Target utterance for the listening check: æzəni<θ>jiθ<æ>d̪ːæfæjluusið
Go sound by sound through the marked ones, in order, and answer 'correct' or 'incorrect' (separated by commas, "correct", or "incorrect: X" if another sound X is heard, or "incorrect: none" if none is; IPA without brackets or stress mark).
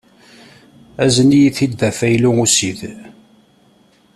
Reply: incorrect: none, incorrect: i